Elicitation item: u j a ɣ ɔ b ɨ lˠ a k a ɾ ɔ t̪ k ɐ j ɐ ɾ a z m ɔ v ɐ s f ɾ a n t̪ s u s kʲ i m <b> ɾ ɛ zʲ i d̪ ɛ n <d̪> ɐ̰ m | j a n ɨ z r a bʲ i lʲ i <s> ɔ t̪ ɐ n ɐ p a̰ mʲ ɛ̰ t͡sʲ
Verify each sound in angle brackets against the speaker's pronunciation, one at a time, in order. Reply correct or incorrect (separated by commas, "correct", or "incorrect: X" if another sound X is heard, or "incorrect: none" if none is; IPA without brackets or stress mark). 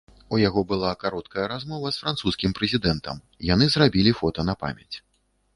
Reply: incorrect: p, incorrect: t̪, incorrect: f